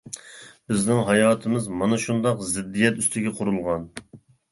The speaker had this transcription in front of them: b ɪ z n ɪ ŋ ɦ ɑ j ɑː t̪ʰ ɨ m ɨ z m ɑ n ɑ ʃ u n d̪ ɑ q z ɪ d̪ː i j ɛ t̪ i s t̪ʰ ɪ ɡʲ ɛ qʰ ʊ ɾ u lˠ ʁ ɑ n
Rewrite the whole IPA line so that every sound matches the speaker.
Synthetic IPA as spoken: b ɪ z n ɪ ŋ ɦ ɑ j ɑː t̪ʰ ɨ m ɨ z m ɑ n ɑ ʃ u n d̪ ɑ q z ɪ d̪ː i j ɛ t̪ y s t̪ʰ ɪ ɡʲ ɛ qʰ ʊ ɾ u lˠ ʁ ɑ n